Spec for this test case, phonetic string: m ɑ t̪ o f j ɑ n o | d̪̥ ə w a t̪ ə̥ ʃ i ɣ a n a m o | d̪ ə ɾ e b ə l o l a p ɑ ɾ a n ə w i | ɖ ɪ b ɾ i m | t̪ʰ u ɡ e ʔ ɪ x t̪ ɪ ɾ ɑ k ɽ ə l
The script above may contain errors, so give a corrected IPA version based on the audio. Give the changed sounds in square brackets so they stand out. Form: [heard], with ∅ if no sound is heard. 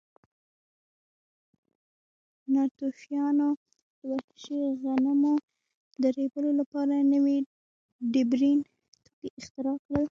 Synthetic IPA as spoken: [n] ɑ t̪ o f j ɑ n o | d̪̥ ə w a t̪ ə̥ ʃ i ɣ a n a m o | d̪ ə ɾ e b ə l o l a p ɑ ɾ a n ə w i | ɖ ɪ b ɾ i [n] | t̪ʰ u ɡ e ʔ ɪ x t̪ ɪ ɾ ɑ k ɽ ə l